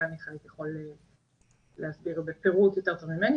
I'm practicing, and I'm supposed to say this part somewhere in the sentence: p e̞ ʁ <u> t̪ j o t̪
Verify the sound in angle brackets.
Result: correct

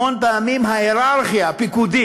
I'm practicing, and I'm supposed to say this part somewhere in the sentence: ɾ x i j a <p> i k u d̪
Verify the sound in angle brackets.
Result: correct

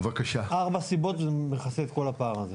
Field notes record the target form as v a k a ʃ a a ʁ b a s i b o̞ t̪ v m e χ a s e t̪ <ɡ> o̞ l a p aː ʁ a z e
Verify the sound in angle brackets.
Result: incorrect: k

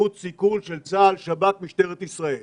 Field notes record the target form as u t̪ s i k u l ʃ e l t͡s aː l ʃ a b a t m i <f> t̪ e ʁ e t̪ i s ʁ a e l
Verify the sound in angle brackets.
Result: incorrect: ʃ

